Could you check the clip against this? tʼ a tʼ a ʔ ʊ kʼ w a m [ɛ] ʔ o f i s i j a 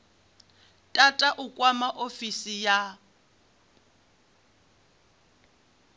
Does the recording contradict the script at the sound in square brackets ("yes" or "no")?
yes